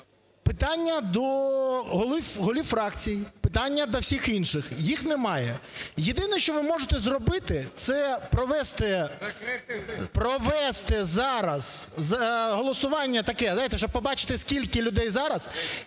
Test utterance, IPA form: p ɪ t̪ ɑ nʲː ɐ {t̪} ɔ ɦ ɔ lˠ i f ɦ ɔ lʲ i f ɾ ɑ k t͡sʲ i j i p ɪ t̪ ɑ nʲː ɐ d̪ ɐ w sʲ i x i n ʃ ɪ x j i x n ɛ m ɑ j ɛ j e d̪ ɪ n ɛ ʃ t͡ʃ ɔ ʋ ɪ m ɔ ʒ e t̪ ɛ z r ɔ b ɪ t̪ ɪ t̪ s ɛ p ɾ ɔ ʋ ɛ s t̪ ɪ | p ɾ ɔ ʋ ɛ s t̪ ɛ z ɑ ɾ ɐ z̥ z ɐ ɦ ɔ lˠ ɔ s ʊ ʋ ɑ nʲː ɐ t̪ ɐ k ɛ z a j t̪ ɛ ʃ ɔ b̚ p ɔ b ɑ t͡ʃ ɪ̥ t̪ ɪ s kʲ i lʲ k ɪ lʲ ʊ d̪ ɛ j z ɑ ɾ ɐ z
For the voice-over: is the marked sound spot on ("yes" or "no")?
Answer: no